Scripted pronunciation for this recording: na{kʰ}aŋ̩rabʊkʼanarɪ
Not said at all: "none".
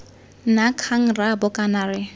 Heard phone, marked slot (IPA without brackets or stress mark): kʰ